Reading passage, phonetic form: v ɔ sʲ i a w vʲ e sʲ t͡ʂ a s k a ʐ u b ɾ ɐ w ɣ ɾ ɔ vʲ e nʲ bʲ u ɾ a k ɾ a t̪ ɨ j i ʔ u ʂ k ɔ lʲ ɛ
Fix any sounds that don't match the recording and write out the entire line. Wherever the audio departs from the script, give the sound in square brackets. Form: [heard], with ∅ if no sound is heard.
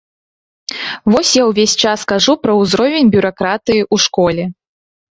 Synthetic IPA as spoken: v ɔ sʲ [j] a w vʲ e sʲ t͡ʂ a s k a ʐ u [p] ɾ ɐ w [z] ɾ ɔ vʲ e nʲ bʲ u ɾ a k ɾ a t̪ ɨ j i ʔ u ʂ k ɔ lʲ ɛ